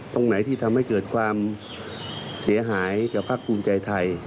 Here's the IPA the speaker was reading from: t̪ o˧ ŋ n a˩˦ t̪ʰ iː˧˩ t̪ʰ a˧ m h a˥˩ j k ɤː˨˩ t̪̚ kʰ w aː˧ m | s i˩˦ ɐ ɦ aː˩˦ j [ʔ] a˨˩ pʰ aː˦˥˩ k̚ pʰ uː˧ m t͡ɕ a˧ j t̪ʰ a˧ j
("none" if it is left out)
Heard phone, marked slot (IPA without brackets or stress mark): k